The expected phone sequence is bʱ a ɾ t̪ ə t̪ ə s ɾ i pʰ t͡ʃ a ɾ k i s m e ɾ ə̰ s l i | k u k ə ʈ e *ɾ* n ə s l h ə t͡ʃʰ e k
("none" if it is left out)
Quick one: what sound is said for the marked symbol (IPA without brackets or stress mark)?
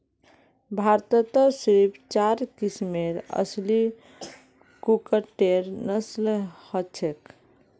ɾ